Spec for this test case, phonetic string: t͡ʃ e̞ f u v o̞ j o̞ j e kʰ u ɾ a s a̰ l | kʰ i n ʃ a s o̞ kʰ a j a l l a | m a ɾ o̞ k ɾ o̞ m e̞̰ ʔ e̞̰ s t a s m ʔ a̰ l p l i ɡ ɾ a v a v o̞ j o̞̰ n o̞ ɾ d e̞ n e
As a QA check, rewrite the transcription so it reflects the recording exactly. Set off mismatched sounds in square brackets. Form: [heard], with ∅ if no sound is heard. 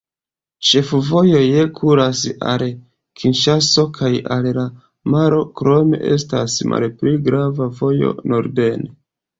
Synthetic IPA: t͡ʃ e̞ f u v o̞ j o̞ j e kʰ u ɾ a s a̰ l | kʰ i n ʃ a s o̞ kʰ a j a l l a | m a ɾ o̞ k ɾ o̞ m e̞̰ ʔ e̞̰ s t a s m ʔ a̰ l p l i ɡ ɾ a v a v o̞ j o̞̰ n o̞ ɾ d e̞ n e

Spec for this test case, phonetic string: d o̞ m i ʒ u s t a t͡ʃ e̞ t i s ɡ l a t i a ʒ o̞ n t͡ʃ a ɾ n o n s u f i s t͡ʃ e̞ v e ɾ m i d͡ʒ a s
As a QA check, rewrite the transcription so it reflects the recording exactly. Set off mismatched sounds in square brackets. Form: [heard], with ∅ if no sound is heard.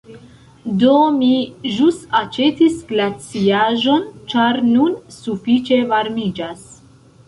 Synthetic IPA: d o̞ m i ʒ u s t a t͡ʃ e̞ t i s ɡ l a [t͡s] i a ʒ o̞ n t͡ʃ a ɾ n [u] n s u f i [∅] t͡ʃ e̞ v [a] ɾ m i d͡ʒ a s

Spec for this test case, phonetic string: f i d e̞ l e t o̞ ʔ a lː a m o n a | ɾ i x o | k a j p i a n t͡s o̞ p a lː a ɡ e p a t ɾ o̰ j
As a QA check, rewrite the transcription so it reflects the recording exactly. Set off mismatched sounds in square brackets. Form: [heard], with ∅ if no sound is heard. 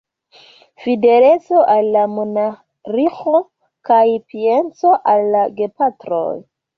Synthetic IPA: f i d e̞ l e [t͡s] o̞ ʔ a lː a m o n a | ɾ i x o | k a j p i [e] n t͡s o̞ [ʔ] a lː a ɡ e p a t ɾ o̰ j

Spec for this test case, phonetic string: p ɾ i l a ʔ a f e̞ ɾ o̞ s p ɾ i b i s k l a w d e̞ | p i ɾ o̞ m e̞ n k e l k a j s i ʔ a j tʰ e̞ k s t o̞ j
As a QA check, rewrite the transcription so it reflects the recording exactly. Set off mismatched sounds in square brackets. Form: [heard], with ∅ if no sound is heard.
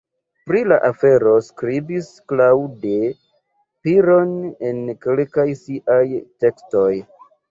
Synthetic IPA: p ɾ i l a ʔ a f e̞ ɾ o̞ s [k] ɾ i b i s k l a w d e̞ | p i ɾ o̞ [n] e̞ n k e l k a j s i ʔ a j [t] e̞ k s t o̞ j

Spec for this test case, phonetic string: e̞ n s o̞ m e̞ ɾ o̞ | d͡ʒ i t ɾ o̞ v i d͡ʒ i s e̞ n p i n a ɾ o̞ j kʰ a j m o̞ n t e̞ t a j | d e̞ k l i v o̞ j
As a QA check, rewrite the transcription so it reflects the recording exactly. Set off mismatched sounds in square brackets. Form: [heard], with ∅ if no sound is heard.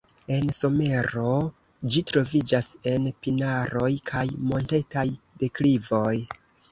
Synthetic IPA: e̞ n s o̞ m e̞ ɾ o̞ | d͡ʒ i t ɾ o̞ v i d͡ʒ [a] s e̞ n p i n a ɾ o̞ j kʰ a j m o̞ n t e̞ t a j | d e̞ k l i v o̞ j

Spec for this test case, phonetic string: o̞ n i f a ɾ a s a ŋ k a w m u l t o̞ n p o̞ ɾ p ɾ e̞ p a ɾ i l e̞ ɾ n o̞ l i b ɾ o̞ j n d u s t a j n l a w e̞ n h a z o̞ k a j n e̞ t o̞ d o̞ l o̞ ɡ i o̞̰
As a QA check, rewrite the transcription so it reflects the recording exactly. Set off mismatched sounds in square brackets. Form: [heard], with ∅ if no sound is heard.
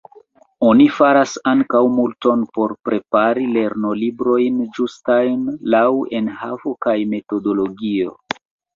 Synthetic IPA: o̞ n i f a ɾ a s a ŋ k a w m u l t o̞ n p o̞ ɾ p ɾ e̞ p a ɾ i l e̞ ɾ n o̞ l i b ɾ o̞ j n [d͡ʒ] u s t a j n l a w e̞ n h a [v] o̞ k a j [m] e̞ t o̞ d o̞ l o̞ ɡ i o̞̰

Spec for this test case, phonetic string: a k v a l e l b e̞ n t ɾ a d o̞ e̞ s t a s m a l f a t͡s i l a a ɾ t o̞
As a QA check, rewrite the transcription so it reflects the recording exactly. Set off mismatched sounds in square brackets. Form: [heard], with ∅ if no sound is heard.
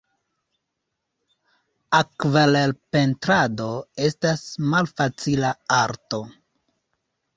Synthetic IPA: a k v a l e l [p] e̞ n t ɾ a d o̞ e̞ s t a s m a l f a t͡s i l a a ɾ t o̞

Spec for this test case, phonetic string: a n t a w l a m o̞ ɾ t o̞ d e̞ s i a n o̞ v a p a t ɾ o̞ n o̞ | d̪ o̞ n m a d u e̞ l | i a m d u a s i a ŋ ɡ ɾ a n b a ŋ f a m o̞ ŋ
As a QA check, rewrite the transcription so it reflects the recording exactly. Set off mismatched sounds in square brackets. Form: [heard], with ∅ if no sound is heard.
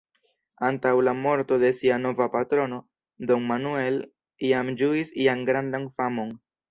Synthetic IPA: a n t a w l a m o̞ ɾ t o̞ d e̞ s i a n o̞ v a p a t ɾ o̞ n o̞ | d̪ o̞ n m a [n] u e̞ l | i a m [d͡ʒ] u [i] s i a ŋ ɡ ɾ a n [d] a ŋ f a m o̞ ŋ

